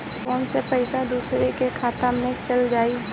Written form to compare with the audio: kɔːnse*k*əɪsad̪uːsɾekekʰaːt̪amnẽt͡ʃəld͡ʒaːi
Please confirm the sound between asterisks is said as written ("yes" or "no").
no